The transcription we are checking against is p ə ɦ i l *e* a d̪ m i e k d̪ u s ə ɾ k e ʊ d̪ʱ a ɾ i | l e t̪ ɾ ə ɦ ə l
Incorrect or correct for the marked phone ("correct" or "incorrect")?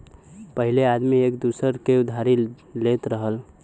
correct